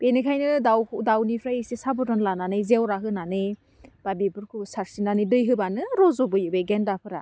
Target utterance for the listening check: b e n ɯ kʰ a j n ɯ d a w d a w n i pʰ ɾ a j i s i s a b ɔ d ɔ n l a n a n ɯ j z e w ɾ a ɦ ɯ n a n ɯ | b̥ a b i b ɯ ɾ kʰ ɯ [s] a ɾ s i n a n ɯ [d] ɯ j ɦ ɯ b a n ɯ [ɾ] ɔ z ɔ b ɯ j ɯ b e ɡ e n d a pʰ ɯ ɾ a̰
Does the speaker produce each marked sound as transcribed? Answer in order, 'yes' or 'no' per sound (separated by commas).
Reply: yes, yes, yes